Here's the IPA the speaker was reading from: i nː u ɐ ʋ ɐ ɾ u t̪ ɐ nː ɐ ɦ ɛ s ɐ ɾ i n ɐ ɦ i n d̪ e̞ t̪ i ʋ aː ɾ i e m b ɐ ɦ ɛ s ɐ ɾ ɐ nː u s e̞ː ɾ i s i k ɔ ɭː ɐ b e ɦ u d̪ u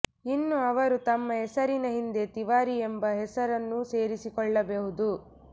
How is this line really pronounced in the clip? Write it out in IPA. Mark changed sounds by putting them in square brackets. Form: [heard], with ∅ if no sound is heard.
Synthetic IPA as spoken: i nː u ɐ ʋ ɐ ɾ u t̪ ɐ [mː] ɐ ɦ ɛ s ɐ ɾ i n ɐ ɦ i n d̪ e̞ t̪ i ʋ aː ɾ i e m b ɐ ɦ ɛ s ɐ ɾ ɐ nː u s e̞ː ɾ i s i k ɔ ɭː ɐ b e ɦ u d̪ u